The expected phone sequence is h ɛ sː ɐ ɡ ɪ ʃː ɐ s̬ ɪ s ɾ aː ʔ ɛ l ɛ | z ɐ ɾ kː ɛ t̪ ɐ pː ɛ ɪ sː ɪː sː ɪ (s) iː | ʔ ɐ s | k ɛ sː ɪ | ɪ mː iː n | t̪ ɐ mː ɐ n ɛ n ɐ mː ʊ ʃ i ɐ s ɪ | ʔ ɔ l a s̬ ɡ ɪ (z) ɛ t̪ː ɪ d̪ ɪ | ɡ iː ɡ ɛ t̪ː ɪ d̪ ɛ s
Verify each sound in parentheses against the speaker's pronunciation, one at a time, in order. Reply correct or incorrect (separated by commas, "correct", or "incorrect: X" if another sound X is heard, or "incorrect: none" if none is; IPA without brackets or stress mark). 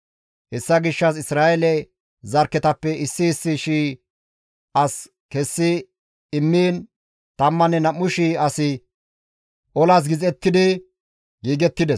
incorrect: ʃ, correct